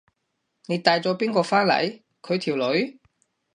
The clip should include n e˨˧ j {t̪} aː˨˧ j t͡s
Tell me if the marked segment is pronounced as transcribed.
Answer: yes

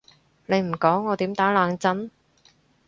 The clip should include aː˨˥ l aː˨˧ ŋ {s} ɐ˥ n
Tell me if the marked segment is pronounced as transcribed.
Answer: no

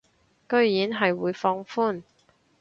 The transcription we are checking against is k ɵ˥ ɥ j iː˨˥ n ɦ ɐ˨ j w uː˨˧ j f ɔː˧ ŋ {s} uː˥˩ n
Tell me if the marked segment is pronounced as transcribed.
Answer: no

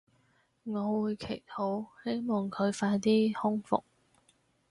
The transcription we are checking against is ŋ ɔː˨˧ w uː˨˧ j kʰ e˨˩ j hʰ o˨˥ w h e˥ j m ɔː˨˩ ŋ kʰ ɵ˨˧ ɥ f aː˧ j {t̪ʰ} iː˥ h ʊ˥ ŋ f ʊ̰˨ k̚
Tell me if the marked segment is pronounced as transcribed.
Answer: no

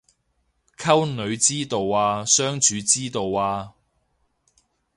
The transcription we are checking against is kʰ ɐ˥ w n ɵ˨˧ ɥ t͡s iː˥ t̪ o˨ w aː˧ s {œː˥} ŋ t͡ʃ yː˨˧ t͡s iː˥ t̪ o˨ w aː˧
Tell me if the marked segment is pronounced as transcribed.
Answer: yes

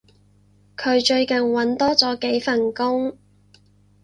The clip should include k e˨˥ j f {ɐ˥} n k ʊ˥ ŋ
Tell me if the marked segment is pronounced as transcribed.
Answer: no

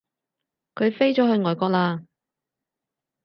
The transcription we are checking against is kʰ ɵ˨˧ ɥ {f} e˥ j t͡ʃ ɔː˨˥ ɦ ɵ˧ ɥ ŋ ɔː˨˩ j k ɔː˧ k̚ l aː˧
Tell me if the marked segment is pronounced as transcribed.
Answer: yes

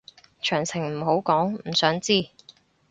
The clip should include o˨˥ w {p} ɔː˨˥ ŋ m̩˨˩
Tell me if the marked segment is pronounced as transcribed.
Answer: no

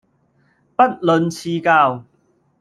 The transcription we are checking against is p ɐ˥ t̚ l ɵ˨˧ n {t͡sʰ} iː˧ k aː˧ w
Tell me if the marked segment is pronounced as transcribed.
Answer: yes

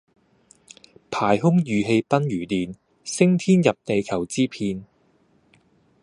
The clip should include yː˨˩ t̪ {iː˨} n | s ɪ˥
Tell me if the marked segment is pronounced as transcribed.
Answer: yes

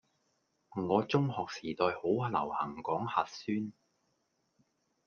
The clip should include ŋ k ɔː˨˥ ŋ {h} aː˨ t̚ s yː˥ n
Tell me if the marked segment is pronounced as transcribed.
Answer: yes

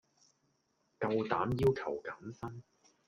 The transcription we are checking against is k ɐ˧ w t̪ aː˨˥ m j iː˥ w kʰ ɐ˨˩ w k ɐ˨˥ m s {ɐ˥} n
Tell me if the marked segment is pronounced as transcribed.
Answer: yes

